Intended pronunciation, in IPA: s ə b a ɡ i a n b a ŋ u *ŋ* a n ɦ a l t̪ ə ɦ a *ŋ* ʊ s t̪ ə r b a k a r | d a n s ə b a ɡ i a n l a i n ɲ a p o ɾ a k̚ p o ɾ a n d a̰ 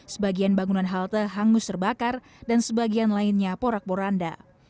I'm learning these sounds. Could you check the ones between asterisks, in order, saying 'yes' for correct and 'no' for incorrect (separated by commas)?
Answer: no, yes